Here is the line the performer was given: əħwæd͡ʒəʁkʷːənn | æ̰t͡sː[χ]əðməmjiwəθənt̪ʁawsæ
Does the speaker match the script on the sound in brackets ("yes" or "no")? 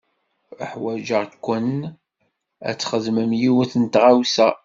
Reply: yes